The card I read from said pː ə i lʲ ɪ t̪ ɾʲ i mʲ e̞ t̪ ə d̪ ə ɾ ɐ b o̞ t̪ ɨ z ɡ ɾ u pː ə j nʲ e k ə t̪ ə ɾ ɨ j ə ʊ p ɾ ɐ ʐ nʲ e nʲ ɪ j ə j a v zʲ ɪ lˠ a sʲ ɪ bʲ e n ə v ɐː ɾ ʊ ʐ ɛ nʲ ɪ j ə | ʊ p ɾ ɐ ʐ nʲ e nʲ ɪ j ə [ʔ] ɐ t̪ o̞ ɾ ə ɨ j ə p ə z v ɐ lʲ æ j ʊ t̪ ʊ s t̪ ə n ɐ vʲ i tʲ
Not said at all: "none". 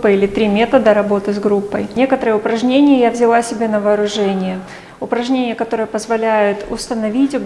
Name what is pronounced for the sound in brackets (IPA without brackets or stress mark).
k